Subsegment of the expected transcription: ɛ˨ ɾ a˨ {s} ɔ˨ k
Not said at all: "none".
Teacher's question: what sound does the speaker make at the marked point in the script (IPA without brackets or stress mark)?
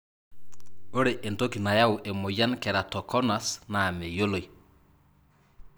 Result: t